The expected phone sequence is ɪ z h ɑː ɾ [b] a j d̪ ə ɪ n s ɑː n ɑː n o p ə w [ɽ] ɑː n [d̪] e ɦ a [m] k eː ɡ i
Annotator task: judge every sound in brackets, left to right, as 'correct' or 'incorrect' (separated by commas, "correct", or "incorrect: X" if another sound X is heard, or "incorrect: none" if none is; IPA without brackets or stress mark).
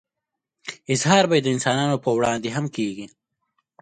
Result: correct, correct, correct, correct